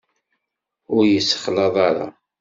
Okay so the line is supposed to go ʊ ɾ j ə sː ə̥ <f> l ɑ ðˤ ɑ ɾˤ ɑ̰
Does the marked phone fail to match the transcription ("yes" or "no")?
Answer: yes